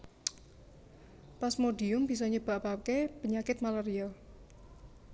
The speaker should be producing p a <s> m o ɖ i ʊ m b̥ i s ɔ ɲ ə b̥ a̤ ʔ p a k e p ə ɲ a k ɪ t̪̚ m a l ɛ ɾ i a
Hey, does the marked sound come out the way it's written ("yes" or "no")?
yes